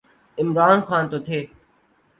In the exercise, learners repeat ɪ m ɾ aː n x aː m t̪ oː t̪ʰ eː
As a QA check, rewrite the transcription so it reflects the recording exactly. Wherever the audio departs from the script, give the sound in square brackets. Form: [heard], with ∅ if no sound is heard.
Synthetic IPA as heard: ɪ m ɾ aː n x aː [n] t̪ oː t̪ʰ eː